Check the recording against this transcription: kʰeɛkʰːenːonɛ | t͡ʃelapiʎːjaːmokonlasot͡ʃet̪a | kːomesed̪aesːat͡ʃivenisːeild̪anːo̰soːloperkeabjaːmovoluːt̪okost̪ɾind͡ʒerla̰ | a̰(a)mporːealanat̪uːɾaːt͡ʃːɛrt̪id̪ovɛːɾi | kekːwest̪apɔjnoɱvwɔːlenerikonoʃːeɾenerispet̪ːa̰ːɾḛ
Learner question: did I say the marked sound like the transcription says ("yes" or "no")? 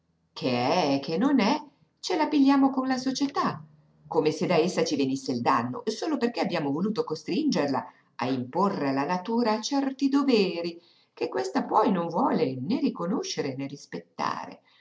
no